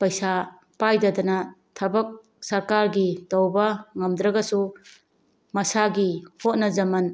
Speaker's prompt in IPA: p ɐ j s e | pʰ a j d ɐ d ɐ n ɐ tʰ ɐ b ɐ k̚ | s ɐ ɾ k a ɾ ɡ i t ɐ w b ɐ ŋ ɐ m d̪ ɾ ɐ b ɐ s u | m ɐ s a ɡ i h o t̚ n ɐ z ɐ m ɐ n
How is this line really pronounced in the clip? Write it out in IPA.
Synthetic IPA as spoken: p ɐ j s a | p a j d ɐ d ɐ n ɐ tʰ ɐ b ɐ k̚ | s ɐ ɾ k a ɾ ɡ i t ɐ w b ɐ ŋ ɐ m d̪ ɾ ɐ ɡ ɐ s u | m ɐ s a ɡ i h o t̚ n ɐ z ɐ m ɐ n